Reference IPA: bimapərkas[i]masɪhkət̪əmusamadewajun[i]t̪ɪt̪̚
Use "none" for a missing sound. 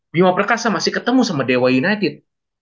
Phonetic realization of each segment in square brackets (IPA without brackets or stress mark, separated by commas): a, a